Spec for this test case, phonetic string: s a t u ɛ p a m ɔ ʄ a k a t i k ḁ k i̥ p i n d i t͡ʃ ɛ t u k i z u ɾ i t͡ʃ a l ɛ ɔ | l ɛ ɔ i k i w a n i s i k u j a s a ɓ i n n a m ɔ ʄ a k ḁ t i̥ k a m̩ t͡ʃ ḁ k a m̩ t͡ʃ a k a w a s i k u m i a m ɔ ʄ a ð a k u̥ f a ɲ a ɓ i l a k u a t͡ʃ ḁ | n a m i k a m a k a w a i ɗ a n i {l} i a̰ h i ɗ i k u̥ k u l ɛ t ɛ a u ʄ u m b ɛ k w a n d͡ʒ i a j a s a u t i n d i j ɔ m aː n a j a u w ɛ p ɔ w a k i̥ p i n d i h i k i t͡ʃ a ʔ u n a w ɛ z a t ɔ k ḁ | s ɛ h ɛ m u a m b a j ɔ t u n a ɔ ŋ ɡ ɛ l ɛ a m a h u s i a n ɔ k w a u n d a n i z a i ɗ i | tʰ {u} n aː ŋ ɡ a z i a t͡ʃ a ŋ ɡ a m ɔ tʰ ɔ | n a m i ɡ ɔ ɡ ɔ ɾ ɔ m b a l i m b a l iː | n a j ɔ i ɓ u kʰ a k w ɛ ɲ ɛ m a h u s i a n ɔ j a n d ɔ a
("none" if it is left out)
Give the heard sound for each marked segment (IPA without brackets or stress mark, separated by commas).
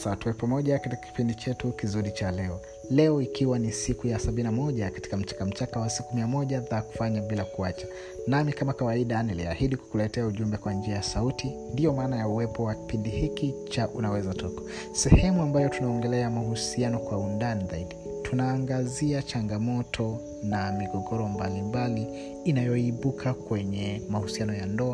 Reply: l, u